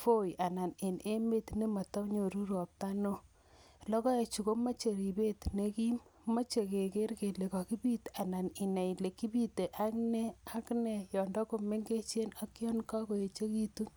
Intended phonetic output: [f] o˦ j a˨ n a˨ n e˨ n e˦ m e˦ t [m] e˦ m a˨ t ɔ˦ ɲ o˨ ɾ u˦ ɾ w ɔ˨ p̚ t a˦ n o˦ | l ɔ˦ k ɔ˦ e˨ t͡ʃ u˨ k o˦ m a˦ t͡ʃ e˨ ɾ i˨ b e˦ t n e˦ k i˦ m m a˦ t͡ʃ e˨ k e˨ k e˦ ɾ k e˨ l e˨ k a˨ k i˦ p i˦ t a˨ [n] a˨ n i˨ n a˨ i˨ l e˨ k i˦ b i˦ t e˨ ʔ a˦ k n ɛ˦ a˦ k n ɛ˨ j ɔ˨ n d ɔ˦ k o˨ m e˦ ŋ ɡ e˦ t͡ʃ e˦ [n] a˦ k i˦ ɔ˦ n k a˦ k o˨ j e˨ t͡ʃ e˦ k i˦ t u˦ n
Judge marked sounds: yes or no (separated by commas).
yes, no, yes, yes